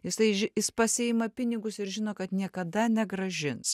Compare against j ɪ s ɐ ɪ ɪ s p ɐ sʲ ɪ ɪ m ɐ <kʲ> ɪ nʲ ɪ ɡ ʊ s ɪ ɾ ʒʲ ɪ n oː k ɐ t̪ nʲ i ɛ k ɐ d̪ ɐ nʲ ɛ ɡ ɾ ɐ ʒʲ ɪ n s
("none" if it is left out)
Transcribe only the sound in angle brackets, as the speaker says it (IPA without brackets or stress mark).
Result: pʲ